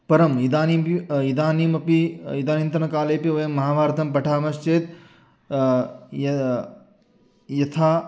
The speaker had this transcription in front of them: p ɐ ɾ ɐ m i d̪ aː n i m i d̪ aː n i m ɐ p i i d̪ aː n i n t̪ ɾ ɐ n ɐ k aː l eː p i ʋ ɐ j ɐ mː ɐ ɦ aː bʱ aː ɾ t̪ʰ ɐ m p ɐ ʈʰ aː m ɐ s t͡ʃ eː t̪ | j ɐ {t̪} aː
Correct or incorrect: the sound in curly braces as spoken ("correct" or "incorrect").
incorrect